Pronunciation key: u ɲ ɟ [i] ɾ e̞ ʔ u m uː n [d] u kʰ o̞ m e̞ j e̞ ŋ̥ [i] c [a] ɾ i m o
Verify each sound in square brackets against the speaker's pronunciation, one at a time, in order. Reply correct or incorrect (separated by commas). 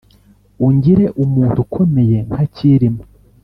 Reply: correct, incorrect, incorrect, incorrect